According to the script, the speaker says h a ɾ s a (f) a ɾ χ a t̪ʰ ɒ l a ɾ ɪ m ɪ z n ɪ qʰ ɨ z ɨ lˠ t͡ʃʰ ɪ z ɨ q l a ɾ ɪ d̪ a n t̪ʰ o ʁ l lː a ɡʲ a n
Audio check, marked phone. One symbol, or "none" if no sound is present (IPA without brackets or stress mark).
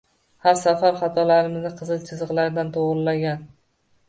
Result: f